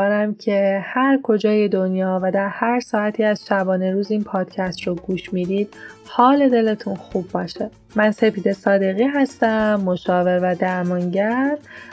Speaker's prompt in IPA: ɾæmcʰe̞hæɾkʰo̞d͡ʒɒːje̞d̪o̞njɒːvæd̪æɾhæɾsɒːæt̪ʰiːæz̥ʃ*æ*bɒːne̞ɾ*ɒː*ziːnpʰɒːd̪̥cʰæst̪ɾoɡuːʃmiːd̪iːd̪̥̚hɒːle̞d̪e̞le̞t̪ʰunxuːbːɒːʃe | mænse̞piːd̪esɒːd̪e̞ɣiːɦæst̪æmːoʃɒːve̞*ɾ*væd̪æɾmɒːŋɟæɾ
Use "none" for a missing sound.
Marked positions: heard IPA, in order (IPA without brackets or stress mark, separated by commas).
æ, uː, ɾ